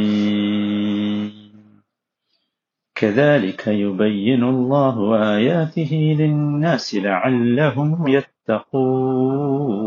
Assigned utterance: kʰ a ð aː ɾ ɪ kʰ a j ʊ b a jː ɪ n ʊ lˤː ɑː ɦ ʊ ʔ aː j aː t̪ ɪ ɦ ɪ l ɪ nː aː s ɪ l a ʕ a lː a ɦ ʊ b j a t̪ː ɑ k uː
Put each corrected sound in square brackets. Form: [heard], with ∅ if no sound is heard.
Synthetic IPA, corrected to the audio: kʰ a ð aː [l] ɪ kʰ a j ʊ b a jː ɪ n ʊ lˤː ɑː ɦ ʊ ʔ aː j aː t̪ ɪ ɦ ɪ l ɪ nː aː s ɪ l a ʕ a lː a ɦ ʊ [m] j a t̪ː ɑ [q] uː